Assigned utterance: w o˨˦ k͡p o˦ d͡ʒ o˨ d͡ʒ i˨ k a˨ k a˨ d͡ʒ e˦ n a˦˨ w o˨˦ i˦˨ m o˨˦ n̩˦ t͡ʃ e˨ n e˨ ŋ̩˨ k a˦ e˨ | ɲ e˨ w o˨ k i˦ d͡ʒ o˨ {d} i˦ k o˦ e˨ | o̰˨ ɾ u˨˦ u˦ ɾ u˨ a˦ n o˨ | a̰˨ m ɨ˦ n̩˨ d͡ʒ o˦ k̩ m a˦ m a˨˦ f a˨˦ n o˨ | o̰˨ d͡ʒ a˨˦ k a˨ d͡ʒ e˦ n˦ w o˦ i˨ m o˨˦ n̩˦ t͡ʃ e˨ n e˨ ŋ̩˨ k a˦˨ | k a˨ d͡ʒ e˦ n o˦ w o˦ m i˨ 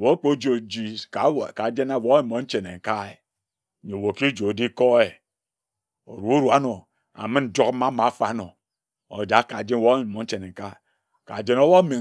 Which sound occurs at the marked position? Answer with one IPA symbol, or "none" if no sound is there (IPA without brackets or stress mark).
d